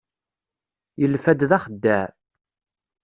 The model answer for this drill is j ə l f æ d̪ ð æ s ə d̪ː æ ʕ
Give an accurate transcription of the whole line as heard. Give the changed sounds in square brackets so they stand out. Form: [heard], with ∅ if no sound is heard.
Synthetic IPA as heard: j ə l f æ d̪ ð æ [χ] ə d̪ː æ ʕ